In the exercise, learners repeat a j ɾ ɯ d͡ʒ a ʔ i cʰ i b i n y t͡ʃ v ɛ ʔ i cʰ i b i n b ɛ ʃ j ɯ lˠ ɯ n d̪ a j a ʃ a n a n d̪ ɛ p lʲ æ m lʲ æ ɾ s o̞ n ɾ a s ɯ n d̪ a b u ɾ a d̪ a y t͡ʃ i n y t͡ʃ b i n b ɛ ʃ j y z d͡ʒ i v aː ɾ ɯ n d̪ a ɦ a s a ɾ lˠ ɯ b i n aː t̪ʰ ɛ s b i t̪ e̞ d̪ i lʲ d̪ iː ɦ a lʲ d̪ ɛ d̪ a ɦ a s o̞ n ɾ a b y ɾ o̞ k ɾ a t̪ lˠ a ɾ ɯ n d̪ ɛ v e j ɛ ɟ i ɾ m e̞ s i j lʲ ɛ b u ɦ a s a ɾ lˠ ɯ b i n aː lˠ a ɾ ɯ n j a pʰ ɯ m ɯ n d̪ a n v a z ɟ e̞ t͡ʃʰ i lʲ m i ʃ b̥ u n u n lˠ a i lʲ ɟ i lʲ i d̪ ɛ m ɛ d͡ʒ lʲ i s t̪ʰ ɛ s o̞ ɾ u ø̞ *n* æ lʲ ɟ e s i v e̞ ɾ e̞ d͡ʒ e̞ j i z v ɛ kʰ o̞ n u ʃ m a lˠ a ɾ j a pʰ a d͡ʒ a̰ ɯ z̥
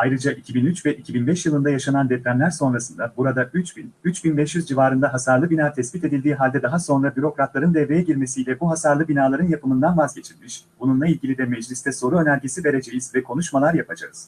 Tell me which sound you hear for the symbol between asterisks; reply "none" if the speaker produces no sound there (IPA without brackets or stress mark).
n